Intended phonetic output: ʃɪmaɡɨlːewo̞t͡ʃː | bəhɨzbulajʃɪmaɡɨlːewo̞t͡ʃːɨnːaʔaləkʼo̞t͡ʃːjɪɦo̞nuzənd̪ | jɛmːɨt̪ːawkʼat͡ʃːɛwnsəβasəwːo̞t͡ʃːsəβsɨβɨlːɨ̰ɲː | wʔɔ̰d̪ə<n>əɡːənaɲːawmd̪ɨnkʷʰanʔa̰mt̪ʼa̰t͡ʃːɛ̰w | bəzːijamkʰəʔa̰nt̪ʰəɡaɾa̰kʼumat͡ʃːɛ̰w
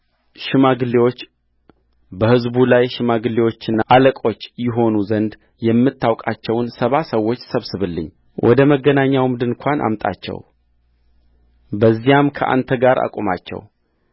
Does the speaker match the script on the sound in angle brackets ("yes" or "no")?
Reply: no